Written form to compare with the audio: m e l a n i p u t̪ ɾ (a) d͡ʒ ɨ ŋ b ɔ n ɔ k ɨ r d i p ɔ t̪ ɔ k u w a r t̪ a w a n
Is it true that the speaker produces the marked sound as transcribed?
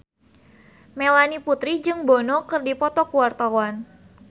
no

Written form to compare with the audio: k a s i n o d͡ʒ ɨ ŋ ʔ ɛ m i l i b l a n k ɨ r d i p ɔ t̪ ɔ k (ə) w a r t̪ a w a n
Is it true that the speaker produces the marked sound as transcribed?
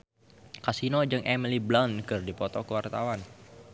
yes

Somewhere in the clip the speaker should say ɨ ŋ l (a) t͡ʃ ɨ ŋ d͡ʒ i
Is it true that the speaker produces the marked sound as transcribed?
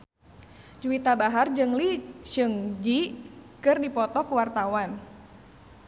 no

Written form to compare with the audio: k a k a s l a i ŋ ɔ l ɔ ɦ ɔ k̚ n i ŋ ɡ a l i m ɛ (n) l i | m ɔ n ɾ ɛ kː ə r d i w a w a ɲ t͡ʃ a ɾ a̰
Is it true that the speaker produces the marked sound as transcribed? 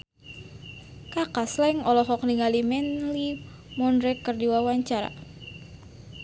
yes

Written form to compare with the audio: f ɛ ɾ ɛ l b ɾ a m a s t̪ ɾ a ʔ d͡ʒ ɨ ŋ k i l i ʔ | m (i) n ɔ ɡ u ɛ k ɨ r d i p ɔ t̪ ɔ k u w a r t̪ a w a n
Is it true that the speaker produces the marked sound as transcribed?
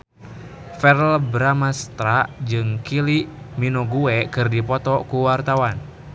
yes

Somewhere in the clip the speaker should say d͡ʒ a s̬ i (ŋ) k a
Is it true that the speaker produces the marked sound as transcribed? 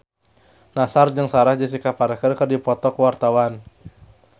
no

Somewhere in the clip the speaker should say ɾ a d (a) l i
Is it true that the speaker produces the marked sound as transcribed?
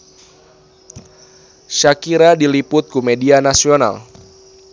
no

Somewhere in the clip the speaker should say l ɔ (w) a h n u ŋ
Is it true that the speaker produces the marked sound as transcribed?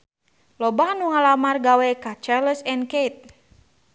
no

